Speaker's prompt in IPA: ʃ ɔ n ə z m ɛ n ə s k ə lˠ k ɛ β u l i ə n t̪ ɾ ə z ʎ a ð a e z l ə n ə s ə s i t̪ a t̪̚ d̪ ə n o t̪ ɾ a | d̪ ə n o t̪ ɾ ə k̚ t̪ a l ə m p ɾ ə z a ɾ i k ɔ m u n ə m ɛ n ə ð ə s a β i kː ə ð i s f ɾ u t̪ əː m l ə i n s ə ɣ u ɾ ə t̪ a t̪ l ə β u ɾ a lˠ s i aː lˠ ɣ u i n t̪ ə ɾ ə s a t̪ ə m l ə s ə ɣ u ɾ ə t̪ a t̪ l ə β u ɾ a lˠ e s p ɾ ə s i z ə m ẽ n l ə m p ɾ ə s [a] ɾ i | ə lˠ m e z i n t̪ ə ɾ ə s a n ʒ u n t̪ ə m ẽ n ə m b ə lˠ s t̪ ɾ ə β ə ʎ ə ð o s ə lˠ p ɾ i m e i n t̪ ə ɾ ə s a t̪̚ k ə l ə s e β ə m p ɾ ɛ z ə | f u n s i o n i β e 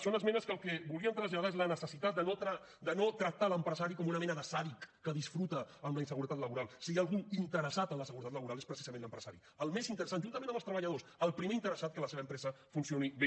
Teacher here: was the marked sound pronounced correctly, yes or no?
yes